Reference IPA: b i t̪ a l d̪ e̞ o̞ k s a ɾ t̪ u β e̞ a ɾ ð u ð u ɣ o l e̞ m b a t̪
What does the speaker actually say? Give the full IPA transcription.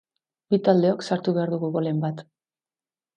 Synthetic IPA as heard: b i t̪ a l d̪ e̞ o̞ k s a ɾ t̪ u β e̞ a ɾ ð u ɣ u ɣ o l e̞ m b a t̪